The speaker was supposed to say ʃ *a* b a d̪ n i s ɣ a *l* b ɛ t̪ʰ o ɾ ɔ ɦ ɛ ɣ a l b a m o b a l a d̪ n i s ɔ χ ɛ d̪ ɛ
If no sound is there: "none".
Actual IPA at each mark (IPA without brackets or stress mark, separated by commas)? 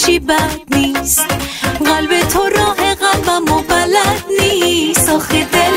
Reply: i, l